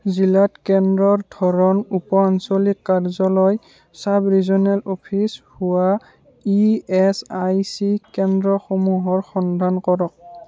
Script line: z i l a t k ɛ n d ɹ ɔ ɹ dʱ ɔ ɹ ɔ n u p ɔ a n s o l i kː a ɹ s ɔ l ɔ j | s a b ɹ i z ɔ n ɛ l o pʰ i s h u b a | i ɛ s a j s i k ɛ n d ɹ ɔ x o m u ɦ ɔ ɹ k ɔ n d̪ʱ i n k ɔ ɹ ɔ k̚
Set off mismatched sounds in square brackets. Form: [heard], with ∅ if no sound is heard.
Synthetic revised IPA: z i l a t k ɛ n d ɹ ɔ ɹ dʱ ɔ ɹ ɔ n u p ɔ a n s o l i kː a ɹ [z] ɔ l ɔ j | s a b ɹ i z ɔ n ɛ l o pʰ i s h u [w] a | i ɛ s a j s i k ɛ n d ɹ ɔ x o m u ɦ ɔ ɹ [x] ɔ n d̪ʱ [a] n k ɔ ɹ ɔ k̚